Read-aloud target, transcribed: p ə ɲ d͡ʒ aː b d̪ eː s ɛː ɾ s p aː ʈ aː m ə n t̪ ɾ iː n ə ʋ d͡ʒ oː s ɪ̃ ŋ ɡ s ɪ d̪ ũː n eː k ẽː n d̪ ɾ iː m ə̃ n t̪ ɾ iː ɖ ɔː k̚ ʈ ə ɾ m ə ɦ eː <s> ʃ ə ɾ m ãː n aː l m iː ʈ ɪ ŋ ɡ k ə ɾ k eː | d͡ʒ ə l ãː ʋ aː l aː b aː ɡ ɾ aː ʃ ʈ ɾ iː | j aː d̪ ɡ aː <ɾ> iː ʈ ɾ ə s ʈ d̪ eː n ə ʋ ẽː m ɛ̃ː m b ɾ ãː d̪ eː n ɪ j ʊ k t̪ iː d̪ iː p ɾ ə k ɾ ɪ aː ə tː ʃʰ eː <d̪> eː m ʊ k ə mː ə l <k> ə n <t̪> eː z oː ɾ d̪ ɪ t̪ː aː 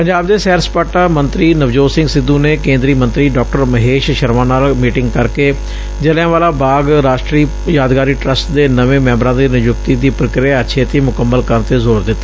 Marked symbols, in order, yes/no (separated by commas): no, yes, no, yes, yes